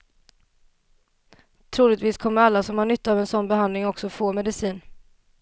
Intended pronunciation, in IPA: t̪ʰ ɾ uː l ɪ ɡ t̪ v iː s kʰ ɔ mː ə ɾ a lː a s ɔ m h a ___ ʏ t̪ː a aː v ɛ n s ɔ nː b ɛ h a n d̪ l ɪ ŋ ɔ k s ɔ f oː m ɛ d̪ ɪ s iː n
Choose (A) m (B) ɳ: B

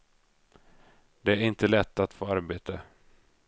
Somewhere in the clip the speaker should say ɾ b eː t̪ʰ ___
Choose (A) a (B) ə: B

